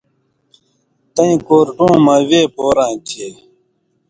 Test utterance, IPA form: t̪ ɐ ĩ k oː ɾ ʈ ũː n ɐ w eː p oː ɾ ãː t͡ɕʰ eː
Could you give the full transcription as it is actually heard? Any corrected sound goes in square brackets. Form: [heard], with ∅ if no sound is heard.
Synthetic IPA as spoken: t̪ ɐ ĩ k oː ɾ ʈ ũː [m] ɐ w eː p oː ɾ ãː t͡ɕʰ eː